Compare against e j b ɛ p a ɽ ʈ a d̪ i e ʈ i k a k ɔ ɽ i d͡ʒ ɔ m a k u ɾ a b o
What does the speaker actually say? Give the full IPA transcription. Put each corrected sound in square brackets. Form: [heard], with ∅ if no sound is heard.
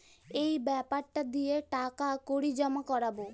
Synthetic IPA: e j b ɛ p a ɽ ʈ a d̪ i e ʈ [a] k a k [o] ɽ i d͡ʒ ɔ m a k [ɔ] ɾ a b o